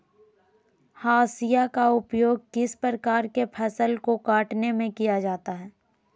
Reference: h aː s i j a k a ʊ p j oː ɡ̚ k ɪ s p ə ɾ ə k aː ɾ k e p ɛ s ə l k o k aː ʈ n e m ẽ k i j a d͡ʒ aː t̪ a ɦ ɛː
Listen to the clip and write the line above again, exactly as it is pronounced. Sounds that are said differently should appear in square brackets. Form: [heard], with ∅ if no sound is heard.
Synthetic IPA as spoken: h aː s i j a k a ʊ p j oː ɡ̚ k ɪ s p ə ɾ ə k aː ɾ k e [pʰ] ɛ s ə l k o k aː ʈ n e m ẽ k i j a d͡ʒ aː t̪ a ɦ ɛː